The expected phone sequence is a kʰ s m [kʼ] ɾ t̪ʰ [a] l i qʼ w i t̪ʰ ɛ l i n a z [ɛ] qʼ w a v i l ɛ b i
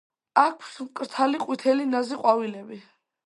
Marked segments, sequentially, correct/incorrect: correct, correct, incorrect

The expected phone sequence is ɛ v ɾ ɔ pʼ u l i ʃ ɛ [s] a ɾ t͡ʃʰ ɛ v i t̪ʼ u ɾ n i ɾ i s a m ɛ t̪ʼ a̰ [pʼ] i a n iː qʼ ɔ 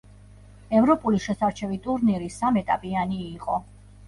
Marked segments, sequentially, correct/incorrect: correct, correct

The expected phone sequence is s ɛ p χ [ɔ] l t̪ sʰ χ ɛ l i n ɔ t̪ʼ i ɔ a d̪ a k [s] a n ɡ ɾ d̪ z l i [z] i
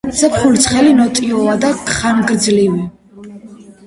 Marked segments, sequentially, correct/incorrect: incorrect, incorrect, incorrect

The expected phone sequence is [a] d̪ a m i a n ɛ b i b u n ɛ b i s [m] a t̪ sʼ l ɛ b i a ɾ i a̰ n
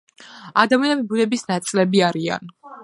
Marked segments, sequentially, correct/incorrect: correct, incorrect

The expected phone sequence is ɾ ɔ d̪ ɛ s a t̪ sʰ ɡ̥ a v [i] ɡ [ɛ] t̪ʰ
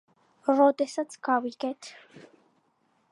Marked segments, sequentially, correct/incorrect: correct, correct

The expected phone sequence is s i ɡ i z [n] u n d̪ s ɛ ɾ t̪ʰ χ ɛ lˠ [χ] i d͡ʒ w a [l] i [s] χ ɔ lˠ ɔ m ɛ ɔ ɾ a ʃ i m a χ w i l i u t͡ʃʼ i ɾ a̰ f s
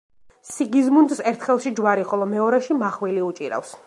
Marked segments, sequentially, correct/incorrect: incorrect, incorrect, incorrect, incorrect

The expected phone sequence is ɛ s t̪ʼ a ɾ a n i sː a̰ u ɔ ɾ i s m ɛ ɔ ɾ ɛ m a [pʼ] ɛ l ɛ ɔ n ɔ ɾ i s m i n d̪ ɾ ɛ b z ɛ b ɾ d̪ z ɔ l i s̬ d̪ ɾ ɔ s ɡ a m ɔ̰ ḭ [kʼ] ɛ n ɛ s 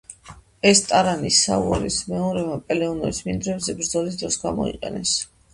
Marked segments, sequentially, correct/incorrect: correct, incorrect

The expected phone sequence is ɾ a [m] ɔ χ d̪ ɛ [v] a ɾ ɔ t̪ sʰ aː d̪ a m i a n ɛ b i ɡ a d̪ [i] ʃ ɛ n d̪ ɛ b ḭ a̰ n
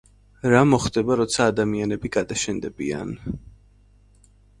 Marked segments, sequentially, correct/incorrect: correct, incorrect, incorrect

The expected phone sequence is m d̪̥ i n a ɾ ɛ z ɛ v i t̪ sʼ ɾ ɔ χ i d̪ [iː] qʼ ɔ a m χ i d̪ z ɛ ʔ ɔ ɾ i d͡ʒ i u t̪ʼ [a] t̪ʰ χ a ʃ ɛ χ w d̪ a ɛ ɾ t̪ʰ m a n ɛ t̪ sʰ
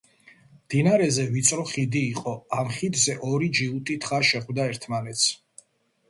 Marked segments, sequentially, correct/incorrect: correct, incorrect

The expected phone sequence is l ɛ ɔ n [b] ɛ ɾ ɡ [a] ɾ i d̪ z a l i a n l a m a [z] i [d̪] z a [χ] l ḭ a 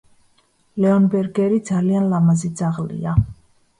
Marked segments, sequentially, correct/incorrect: correct, incorrect, correct, correct, incorrect

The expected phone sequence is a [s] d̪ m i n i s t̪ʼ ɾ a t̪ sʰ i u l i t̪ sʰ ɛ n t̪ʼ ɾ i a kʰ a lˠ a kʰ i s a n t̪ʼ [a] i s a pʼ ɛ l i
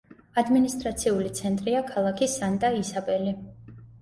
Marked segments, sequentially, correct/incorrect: incorrect, correct

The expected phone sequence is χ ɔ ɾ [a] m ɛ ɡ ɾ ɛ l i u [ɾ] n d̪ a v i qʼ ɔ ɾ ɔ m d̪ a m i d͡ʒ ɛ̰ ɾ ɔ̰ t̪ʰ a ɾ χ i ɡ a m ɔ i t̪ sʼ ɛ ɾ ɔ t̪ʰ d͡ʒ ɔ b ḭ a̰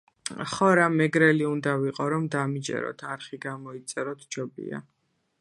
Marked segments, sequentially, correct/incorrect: correct, incorrect

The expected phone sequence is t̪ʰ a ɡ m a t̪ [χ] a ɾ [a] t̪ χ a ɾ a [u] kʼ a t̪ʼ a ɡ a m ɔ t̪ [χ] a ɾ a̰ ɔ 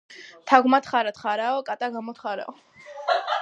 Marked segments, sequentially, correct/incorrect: correct, correct, incorrect, correct

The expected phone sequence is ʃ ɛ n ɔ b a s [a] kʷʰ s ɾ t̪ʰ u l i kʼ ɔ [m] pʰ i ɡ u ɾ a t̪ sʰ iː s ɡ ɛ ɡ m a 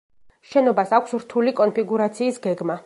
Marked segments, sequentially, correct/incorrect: correct, incorrect

